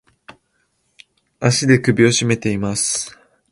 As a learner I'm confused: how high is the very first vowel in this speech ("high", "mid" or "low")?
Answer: low